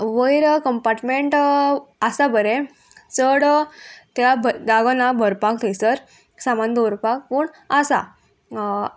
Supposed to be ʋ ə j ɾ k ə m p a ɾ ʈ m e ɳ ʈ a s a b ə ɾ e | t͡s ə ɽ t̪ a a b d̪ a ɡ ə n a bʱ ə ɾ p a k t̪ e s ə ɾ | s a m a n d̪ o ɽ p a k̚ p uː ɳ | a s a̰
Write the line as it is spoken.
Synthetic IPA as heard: ʋ ə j ɾ k ə m p a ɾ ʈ m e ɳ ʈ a s a b ə ɾ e | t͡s ə ɽ t̪ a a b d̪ a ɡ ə n a bʱ ə ɾ p a k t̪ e s ə ɾ | s a m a n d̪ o ɾ p a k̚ p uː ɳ | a s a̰